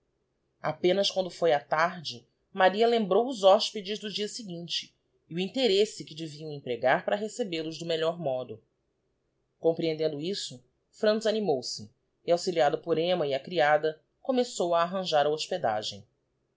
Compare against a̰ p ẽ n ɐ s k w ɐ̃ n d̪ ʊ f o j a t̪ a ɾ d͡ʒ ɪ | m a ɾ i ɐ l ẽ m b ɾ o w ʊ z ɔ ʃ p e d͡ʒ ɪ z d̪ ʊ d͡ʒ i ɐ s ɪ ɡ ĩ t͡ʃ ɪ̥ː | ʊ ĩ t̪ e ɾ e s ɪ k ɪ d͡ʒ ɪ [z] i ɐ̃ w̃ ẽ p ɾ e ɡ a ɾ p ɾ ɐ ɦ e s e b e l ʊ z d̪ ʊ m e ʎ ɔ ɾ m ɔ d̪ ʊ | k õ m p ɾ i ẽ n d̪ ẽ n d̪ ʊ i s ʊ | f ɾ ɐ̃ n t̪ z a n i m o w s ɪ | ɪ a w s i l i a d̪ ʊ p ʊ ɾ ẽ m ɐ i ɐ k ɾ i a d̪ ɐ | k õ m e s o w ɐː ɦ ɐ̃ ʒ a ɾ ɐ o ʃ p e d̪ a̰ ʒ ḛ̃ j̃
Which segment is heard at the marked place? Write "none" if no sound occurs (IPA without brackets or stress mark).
v